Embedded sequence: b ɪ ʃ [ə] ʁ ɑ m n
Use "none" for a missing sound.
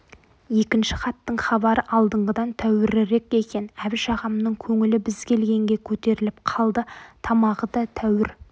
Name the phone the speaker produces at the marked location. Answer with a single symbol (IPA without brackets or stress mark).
ɑ